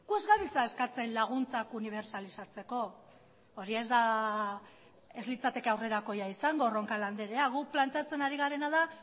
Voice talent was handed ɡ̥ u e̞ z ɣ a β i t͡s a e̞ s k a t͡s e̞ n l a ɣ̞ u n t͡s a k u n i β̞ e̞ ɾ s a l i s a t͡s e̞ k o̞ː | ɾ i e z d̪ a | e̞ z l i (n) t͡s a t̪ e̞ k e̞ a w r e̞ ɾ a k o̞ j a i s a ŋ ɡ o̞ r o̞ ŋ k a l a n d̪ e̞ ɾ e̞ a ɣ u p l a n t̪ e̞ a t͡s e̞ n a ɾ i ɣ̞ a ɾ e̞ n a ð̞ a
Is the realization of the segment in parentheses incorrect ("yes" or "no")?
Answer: yes